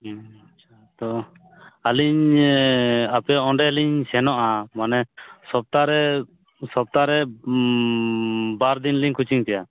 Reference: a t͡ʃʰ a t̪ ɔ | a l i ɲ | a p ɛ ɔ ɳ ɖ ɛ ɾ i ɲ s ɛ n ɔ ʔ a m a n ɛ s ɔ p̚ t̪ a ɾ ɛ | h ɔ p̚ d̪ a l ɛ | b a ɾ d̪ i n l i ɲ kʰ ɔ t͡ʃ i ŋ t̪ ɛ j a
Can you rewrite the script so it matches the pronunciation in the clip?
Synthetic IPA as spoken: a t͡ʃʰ a t̪ ɔ | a l i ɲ | a p ɛ ɔ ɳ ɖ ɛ l i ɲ s ɛ n ɔ ʔ a m a n ɛ s ɔ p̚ t̪ a ɾ ɛ | s ɔ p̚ t̪ a ɾ ɛ | b a ɾ d̪ i n l i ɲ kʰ u t͡ʃ i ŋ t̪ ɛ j a